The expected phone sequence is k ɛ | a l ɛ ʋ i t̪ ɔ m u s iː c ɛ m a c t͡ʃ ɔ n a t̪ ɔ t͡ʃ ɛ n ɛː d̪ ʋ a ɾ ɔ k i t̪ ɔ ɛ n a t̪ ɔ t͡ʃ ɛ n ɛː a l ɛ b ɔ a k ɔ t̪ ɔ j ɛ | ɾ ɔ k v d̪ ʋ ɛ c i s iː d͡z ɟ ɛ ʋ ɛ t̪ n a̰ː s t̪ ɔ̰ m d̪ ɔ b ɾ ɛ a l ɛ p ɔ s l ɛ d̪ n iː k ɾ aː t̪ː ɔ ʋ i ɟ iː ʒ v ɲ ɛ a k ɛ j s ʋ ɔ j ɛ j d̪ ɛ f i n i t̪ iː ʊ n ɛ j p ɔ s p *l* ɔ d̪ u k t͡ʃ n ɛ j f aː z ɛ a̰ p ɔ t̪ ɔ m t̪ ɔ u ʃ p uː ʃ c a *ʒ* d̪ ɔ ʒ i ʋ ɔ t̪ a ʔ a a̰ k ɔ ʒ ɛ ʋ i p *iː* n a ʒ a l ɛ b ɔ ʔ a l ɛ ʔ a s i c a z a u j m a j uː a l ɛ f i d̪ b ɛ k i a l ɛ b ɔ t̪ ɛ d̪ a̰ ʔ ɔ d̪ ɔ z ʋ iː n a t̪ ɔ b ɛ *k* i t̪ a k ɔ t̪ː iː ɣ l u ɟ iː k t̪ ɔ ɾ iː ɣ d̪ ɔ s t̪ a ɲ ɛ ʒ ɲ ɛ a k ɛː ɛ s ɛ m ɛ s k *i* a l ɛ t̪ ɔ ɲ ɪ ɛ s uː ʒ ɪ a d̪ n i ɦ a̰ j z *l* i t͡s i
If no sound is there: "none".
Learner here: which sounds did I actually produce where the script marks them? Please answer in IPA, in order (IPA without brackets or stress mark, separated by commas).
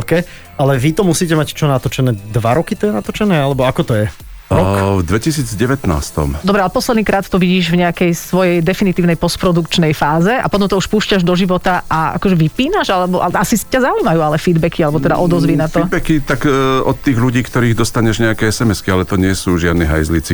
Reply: ɾ, ʒ, iː, k, i, l